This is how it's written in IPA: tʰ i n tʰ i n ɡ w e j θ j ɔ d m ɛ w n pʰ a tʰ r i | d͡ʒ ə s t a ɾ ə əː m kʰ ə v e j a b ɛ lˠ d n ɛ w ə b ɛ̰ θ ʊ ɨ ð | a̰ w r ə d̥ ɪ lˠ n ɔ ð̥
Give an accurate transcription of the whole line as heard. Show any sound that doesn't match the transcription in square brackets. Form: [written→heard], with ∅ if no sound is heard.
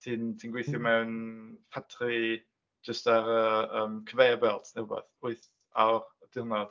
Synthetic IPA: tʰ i n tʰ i n ɡ w e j θ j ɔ [d→∅] m ɛ w n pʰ a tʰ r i | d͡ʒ ə s t a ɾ ə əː m kʰ ə v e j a b ɛ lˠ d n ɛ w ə b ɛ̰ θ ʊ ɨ [ð→θ] | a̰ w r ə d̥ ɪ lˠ n ɔ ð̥